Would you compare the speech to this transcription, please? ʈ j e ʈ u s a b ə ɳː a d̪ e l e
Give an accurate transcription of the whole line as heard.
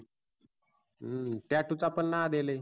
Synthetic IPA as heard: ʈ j a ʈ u t͡s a p ə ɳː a d̪ e l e